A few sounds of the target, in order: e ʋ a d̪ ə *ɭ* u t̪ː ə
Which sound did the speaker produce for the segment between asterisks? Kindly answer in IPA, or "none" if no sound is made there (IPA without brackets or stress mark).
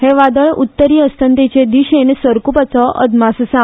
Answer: ɭ